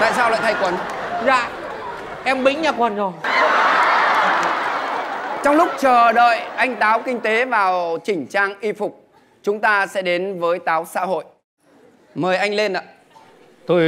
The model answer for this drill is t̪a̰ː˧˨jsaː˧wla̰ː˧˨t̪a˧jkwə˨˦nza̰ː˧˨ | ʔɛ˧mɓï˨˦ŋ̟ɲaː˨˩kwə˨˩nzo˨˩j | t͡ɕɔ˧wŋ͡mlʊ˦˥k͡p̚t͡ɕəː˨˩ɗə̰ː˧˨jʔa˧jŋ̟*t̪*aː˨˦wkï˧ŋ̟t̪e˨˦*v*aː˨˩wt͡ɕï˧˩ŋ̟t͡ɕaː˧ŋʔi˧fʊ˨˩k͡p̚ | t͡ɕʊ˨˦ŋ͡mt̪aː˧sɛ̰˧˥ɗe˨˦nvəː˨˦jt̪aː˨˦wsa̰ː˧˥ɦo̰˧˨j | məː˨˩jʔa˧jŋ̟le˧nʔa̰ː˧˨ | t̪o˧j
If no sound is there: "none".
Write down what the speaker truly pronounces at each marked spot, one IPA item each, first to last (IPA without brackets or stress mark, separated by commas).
t̪, v